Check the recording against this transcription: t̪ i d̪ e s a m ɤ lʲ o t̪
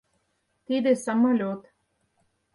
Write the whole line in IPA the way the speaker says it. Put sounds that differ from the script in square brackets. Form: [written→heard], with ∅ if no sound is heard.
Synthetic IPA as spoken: t̪ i d̪ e s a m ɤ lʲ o t̪